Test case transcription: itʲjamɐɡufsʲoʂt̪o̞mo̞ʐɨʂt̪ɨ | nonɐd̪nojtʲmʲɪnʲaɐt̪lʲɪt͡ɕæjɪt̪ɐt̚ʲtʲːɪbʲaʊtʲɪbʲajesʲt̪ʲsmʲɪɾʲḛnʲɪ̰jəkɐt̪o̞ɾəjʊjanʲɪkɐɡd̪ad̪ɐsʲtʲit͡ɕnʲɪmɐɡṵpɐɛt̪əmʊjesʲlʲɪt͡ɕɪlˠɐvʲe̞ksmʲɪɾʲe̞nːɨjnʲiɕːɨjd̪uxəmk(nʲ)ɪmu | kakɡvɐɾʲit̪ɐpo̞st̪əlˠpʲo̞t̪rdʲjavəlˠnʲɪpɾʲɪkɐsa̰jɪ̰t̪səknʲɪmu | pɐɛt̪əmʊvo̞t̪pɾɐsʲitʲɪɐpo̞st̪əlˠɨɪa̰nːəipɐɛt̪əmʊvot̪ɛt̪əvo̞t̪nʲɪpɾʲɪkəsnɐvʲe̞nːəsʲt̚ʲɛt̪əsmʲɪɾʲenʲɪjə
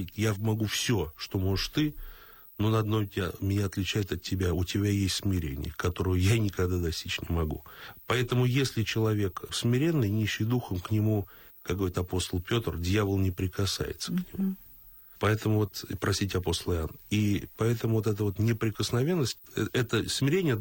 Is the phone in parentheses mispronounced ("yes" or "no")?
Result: no